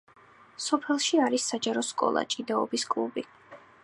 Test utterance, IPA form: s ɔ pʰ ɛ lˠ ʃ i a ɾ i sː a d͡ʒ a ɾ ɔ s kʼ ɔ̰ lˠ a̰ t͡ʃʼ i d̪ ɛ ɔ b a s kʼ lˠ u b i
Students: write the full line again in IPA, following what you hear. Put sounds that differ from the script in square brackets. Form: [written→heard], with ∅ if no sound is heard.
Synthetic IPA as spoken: s ɔ pʰ ɛ lˠ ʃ i a ɾ i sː a d͡ʒ a ɾ ɔ s kʼ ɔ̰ lˠ a̰ t͡ʃʼ i d̪ [ɛ→a] ɔ b [a→i] s kʼ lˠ u b i